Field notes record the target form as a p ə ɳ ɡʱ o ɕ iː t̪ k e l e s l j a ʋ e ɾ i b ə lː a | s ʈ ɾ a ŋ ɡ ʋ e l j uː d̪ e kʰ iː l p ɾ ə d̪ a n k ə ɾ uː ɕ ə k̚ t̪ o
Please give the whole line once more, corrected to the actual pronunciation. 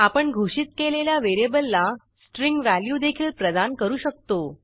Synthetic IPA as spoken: a p ə ɳ ɡʱ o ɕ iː t̪ k e l e l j a ʋ e ɾ e b ə lː a | s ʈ ɾ i ŋ ɡ ʋ æ l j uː d̪ e kʰ iː l p ɾ ə d̪ a n k ə ɾ uː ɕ ə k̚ t̪ o

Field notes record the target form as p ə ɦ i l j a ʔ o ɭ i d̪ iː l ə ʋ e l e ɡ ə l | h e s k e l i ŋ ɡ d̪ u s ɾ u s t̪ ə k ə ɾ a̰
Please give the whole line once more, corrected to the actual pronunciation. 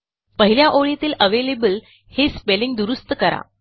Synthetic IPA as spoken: p ə ɦ i l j a ʔ o ɭ i t̪ iː l ə ʋ e l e b ə l | h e s p e l i ŋ ɡ d̪ u ɾ u s t̪ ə k ə ɾ a̰

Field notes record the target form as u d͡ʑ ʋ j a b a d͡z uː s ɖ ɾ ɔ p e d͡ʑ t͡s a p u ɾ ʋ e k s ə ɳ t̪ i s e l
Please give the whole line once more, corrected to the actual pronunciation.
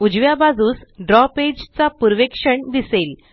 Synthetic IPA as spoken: u d͡ʑ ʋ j a b a d͡z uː s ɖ ɾ ɔ p e d͡ʑ t͡s a p u ɾ ʋ e k ʂ ə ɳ d̪ i s e l

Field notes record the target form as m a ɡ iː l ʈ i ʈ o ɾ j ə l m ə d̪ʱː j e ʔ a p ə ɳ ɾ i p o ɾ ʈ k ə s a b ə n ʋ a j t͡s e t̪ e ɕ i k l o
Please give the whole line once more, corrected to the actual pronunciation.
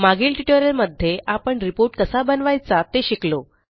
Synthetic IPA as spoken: m a ɡ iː l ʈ i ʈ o ɾ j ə l m ə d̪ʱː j e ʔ a p ə ɳ ɾ i p o ɾ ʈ k ə s a b ə n ʋ a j t͡s a t̪ e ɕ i k l o

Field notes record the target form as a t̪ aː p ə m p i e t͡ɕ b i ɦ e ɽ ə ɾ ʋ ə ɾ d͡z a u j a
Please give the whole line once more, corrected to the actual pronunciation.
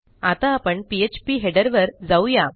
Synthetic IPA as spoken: a t̪ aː p ə ɳ p i e t͡ɕ p i ɦ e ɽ ə ɾ ʋ ə ɾ d͡z a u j a

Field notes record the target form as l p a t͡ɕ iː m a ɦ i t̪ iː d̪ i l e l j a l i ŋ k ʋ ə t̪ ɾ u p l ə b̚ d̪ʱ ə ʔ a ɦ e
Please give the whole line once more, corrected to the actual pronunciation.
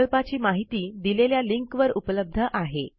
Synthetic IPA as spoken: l p a t͡ɕ iː m a ɦ i t̪ iː d̪ i l e l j a l i ŋ k ʋ ə ɾ u p l ə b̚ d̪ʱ ə ʔ a ɦ e

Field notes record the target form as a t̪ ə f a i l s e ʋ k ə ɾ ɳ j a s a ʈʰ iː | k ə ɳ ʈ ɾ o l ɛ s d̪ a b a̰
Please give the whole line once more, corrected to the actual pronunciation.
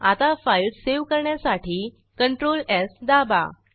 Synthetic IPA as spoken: a t̪ a f a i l s e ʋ k ə ɾ ɳ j a s a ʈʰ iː | k ə ɳ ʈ ɾ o l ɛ s d̪ a b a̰

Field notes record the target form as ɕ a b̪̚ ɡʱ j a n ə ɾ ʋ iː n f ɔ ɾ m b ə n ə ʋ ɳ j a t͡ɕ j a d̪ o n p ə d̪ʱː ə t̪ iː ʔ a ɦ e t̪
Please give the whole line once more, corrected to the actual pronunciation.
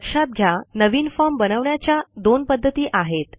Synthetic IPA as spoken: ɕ a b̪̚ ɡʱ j a n ə ʋ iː n f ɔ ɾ m b ə n ə ʋ ɳ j a t͡ɕ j a d̪ o n p ə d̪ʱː ə t̪ iː ʔ a ɦ e t̪

